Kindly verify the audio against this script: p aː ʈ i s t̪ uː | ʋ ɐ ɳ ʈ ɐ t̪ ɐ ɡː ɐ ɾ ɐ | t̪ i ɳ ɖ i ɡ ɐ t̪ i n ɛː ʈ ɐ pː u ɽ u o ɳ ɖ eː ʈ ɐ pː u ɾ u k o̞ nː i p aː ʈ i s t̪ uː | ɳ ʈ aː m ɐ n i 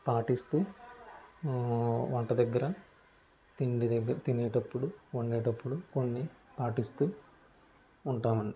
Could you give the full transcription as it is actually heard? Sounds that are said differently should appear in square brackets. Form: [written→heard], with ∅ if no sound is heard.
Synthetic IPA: p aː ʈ i s t̪ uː | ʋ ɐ ɳ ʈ ɐ [t̪→d̪] ɐ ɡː ɐ ɾ ɐ | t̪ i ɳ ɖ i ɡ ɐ t̪ i n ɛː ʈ ɐ pː u ɽ u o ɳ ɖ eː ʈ ɐ pː u [ɾ→ɽ] u k o̞ nː i p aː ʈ i s t̪ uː | ɳ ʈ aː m ɐ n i

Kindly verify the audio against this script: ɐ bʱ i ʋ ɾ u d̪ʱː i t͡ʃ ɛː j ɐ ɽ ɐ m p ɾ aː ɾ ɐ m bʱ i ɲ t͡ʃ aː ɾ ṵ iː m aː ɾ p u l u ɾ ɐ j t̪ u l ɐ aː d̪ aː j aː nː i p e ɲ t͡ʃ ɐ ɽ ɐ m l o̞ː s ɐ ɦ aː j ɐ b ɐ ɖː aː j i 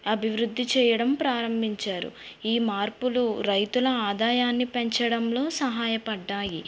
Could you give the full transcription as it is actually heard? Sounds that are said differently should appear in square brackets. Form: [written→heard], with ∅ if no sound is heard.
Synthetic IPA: ɐ bʱ i ʋ ɾ u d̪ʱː i t͡ʃ ɛː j ɐ ɽ ɐ m p ɾ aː ɾ ɐ m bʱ i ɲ t͡ʃ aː ɾ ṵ iː m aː ɾ p u l u ɾ ɐ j t̪ u l ɐ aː d̪ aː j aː nː i p e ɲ t͡ʃ ɐ ɽ ɐ m l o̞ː s ɐ ɦ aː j ɐ [b→p] ɐ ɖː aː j i

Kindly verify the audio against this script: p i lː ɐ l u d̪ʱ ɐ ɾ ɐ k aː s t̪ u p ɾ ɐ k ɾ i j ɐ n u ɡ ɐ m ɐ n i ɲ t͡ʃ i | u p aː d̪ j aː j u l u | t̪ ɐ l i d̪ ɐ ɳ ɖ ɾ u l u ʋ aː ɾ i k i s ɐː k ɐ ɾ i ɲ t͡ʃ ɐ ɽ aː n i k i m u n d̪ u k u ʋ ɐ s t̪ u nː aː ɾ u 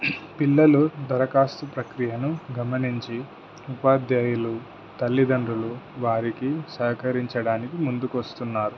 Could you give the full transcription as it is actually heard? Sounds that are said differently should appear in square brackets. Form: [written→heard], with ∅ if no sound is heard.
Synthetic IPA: p i lː ɐ l u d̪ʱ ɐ ɾ ɐ k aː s t̪ u p ɾ ɐ k ɾ i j ɐ n u ɡ ɐ m ɐ n i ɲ t͡ʃ i | u p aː d̪ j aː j u l u | t̪ ɐ [l→lː] i d̪ ɐ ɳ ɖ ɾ u l u ʋ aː ɾ i k i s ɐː k ɐ ɾ i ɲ t͡ʃ ɐ ɽ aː n i k i m u n d̪ u k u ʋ ɐ s t̪ u nː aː ɾ u

